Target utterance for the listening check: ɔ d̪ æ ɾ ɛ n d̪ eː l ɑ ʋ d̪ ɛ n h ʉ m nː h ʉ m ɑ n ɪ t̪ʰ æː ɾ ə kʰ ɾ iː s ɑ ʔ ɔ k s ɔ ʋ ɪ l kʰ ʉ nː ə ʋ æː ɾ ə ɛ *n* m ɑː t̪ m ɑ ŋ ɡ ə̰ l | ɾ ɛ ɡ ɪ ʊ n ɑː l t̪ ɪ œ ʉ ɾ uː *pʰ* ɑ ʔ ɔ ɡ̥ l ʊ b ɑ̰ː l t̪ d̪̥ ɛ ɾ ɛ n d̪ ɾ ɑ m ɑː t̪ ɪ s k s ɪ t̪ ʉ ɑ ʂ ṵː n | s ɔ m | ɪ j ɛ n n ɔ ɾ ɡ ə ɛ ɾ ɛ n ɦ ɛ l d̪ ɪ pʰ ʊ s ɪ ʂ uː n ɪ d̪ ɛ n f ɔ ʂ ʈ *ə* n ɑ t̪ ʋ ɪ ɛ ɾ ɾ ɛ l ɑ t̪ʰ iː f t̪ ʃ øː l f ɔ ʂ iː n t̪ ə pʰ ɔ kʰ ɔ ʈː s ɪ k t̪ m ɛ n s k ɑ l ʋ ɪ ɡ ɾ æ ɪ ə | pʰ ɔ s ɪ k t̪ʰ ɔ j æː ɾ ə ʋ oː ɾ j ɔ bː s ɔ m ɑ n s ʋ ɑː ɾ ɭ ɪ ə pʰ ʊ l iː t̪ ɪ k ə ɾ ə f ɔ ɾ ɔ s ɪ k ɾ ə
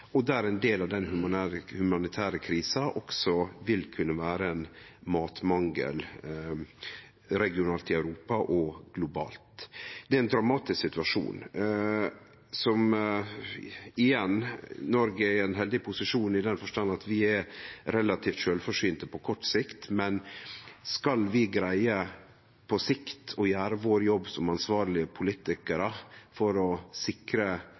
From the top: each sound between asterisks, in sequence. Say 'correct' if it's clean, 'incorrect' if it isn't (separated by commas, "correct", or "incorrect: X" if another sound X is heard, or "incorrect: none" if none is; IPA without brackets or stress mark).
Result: correct, incorrect: p, incorrect: ɑ